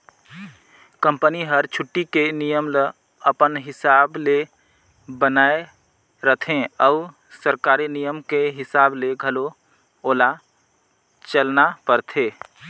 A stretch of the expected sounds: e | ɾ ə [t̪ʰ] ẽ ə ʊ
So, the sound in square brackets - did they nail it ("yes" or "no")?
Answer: yes